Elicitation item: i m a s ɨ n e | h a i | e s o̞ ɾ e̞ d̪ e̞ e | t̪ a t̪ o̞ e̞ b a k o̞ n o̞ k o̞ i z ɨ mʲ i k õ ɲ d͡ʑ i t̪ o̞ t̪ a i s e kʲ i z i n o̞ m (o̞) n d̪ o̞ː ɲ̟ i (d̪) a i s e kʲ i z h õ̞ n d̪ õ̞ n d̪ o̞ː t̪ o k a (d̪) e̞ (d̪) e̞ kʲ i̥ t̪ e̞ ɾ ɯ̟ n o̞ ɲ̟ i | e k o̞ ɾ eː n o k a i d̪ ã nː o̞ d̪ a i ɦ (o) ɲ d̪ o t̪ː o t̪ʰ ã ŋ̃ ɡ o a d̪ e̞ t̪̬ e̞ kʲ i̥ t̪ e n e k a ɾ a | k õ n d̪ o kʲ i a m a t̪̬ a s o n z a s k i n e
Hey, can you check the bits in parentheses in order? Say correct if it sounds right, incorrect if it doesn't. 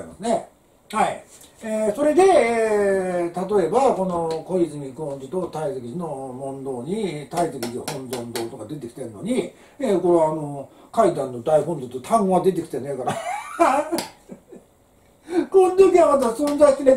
incorrect: õ̞, incorrect: t̪, correct, incorrect: t̪, incorrect: õ

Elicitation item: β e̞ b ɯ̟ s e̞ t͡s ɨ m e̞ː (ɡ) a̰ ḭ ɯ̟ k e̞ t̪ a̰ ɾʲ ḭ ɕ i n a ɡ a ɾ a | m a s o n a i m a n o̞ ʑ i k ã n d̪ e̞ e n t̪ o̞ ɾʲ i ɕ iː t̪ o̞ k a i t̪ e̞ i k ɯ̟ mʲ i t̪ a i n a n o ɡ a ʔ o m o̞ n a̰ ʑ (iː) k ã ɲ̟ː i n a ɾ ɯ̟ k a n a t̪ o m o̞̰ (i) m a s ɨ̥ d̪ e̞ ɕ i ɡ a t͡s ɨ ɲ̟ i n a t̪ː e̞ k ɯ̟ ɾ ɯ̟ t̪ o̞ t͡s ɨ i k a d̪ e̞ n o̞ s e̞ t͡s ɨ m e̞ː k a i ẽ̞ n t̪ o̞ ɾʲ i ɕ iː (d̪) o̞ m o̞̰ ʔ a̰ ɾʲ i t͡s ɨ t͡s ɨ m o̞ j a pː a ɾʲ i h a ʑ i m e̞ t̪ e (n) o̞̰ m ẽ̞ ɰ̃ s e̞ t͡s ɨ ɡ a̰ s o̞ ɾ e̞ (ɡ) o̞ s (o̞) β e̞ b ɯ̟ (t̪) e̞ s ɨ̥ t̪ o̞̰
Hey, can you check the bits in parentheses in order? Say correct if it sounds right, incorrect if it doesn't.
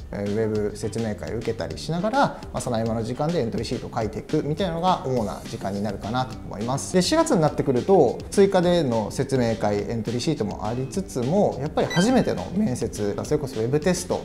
incorrect: k, incorrect: i, correct, incorrect: t̪, correct, incorrect: k, correct, correct

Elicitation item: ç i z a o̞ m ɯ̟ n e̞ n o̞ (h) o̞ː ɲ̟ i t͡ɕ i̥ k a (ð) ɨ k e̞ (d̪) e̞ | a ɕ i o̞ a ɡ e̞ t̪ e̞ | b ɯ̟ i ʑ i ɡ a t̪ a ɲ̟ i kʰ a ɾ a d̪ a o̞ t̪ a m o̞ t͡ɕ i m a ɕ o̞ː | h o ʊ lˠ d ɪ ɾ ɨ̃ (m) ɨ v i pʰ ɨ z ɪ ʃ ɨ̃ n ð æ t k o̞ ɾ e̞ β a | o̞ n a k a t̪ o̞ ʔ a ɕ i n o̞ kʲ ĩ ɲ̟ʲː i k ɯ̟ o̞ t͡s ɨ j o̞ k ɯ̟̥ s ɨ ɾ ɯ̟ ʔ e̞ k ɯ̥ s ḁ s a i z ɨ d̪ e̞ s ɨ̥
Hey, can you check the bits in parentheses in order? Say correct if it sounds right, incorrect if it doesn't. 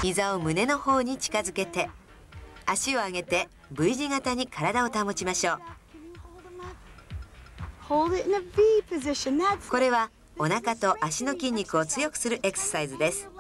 correct, incorrect: z, incorrect: t̪, incorrect: n

